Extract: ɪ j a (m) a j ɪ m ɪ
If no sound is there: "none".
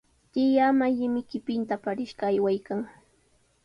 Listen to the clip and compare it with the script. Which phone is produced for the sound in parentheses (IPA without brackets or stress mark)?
m